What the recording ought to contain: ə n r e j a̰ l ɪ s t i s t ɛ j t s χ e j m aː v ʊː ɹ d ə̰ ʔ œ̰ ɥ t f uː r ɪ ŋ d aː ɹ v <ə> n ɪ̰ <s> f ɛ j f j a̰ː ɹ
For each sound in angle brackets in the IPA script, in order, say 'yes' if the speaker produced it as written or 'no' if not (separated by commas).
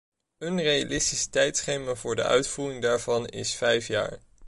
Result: no, yes